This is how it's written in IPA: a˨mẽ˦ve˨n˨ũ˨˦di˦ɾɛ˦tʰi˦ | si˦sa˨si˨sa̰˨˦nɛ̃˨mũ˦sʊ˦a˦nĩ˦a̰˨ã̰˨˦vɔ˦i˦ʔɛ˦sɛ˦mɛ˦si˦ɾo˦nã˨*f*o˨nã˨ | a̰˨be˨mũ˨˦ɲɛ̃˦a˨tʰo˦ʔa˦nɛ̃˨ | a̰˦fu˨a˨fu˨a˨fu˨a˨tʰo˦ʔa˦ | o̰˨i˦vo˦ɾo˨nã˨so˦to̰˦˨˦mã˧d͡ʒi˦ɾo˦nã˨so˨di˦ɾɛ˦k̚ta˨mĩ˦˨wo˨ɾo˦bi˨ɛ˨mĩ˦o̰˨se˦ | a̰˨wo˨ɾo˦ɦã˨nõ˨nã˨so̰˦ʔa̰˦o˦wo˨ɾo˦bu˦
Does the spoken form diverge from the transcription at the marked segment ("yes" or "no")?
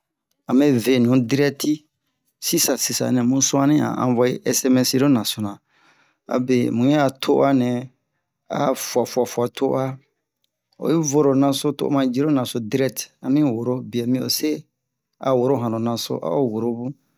yes